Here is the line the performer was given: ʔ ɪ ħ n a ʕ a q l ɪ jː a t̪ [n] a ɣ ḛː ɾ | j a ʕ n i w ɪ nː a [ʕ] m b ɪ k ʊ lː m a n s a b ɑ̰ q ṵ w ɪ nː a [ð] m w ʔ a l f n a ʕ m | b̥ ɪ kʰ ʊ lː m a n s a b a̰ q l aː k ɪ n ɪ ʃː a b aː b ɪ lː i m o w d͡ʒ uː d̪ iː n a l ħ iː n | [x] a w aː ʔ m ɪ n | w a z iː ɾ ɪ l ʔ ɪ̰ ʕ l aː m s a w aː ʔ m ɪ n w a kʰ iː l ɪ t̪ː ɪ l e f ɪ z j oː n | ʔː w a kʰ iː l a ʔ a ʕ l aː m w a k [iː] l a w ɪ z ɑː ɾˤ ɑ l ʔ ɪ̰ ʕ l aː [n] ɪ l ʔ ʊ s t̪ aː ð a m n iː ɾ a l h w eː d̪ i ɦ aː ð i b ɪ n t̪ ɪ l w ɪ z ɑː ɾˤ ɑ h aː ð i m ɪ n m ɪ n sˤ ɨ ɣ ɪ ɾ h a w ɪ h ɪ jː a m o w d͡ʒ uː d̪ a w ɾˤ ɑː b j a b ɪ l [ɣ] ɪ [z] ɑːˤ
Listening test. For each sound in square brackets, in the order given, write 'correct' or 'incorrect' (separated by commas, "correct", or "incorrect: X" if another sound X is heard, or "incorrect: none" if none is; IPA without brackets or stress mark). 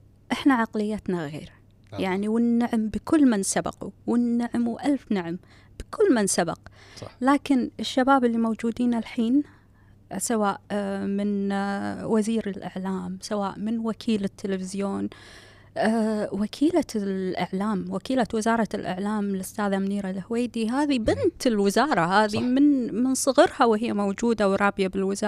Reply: correct, correct, incorrect: ʕ, incorrect: s, correct, incorrect: m, incorrect: w, correct